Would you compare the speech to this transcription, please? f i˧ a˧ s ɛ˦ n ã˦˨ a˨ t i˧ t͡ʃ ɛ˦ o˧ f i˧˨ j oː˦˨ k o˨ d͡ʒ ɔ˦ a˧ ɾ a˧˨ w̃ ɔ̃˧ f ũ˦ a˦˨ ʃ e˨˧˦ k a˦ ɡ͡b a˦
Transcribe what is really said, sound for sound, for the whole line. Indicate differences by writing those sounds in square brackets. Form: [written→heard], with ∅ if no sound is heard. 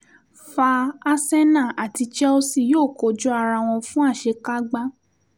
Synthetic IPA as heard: f [i˧→a˧] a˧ s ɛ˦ n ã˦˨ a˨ t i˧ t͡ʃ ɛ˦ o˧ [f→s] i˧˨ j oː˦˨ k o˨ d͡ʒ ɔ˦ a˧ ɾ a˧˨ w̃ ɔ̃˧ f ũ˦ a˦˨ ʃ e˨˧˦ k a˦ ɡ͡b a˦

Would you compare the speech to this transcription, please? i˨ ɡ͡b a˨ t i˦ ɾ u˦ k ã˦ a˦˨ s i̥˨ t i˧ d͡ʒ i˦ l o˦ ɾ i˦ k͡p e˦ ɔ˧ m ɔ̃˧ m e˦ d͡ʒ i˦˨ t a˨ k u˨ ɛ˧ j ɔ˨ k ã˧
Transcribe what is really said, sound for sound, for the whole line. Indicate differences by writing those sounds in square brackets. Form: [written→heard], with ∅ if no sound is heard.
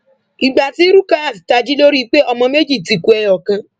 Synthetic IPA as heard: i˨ ɡ͡b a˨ t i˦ ɾ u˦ k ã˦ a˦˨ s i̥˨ t [i˧→a˧] d͡ʒ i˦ l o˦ ɾ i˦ k͡p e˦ ɔ˧ m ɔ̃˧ m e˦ d͡ʒ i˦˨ t [a˨→i˨] k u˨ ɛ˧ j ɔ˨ k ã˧

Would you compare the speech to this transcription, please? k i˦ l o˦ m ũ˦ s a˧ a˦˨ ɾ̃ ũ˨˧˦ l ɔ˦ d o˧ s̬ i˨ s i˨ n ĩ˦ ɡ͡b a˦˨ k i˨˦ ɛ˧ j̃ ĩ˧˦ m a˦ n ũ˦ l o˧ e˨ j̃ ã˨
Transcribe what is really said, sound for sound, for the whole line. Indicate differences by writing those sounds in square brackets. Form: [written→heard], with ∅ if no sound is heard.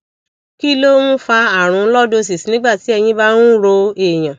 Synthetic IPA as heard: k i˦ l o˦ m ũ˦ [s→f] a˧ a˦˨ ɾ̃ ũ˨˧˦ l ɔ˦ d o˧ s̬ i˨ s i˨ n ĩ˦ ɡ͡b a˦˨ [k→t] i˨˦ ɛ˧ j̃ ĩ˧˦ [m→b] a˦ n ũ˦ [l→ɾ] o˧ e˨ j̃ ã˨

